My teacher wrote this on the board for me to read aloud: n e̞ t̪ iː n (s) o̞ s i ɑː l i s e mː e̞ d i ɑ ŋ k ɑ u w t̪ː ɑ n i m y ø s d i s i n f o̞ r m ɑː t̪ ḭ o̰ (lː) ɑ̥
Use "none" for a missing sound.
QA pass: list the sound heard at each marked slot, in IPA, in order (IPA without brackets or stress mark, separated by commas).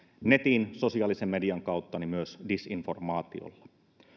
s, lː